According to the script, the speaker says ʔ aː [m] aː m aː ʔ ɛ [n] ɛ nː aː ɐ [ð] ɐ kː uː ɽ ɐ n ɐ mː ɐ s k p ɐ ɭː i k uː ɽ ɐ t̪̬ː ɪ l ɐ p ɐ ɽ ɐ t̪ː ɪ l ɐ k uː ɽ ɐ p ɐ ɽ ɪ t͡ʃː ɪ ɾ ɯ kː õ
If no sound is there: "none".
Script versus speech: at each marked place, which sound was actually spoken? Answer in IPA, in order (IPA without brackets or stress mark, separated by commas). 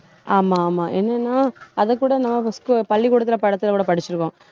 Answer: m, nː, ð